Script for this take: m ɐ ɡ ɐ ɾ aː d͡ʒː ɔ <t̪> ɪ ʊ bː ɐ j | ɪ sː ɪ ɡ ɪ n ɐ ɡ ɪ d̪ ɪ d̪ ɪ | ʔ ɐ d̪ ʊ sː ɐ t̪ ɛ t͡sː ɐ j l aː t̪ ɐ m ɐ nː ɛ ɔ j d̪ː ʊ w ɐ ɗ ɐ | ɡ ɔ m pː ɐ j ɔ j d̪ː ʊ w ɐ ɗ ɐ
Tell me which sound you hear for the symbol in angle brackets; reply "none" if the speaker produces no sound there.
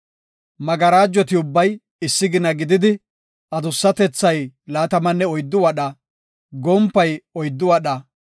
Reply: t̪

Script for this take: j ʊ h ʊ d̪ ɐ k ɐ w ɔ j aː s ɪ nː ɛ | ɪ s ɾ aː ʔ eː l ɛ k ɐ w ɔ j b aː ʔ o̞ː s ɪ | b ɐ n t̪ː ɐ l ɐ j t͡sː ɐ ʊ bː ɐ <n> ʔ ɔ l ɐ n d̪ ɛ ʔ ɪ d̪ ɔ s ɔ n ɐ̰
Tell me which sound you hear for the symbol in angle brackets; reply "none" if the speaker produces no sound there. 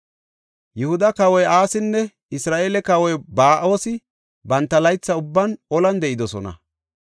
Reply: n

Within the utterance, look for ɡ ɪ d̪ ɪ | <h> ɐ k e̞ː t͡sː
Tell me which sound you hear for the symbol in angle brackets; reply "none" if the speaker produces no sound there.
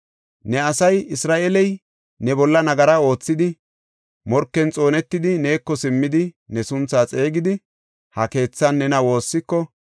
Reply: h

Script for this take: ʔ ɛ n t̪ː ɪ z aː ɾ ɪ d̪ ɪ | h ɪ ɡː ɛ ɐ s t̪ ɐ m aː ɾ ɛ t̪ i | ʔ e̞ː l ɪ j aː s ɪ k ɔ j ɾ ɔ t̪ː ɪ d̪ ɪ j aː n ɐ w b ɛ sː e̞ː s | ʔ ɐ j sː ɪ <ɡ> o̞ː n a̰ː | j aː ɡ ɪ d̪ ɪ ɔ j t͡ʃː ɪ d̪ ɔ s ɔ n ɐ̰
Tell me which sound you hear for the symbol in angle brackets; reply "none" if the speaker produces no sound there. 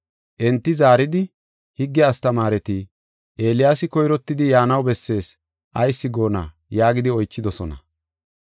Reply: ɡ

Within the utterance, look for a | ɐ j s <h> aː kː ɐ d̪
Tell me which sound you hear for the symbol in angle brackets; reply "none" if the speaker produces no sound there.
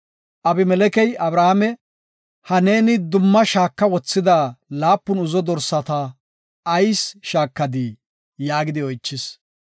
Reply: ʃ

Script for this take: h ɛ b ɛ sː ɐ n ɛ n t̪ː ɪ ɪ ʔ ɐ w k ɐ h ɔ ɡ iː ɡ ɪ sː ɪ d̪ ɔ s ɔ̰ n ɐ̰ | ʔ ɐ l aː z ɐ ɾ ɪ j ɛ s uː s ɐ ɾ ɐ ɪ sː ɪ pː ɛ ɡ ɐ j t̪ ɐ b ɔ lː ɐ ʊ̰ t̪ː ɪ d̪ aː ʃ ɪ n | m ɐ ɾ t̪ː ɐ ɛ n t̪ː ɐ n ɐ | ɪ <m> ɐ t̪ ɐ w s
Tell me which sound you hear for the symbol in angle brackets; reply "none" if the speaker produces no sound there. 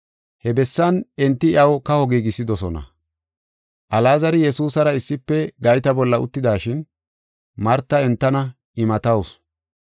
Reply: m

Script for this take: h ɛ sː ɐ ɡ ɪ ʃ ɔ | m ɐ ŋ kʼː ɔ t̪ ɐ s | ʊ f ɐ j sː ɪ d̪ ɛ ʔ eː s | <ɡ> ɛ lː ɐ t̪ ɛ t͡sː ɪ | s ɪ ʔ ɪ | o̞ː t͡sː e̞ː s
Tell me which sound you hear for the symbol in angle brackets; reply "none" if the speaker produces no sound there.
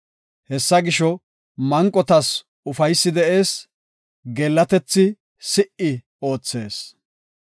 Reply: ɡ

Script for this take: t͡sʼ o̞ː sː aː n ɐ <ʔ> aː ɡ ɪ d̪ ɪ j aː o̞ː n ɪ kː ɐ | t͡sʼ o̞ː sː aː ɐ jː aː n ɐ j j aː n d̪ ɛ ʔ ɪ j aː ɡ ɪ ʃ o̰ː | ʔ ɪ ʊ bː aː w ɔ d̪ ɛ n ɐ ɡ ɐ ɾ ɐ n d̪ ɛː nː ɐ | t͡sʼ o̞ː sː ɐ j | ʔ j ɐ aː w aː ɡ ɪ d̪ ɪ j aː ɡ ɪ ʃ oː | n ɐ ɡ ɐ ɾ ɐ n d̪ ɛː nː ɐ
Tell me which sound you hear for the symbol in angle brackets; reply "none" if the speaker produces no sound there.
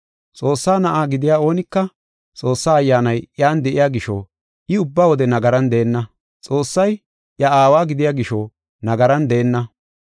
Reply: ʔ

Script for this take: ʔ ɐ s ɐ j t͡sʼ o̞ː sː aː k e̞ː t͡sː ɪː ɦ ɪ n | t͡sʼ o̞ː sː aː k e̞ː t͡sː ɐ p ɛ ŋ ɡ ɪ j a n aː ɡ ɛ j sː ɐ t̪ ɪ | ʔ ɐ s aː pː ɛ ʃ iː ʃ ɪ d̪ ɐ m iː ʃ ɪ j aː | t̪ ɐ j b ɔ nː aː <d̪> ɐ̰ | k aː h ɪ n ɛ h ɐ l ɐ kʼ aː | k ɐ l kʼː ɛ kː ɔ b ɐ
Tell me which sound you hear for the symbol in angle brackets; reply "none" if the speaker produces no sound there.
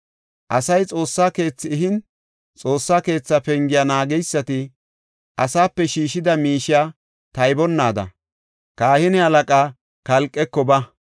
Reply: d̪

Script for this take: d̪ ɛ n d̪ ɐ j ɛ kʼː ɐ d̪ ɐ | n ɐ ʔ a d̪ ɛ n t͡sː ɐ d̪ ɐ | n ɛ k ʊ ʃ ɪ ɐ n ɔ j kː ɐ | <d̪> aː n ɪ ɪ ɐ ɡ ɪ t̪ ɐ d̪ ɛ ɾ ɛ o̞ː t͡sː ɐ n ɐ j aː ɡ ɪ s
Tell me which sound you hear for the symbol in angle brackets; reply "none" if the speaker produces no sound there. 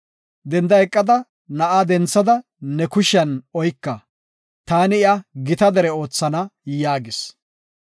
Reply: t̪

